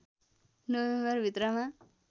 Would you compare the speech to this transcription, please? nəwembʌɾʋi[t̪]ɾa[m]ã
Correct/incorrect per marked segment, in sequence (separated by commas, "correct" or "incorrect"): correct, correct